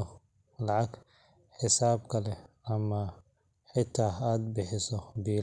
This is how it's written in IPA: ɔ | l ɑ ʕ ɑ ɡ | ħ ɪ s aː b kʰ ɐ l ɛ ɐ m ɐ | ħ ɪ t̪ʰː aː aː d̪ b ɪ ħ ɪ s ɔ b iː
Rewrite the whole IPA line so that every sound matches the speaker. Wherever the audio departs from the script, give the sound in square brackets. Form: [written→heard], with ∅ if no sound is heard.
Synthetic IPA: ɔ | l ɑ ʕ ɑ ɡ | ħ ɪ s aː b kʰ ɐ l ɛ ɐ m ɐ | ħ ɪ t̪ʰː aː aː d̪ b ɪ ħ ɪ s ɔ b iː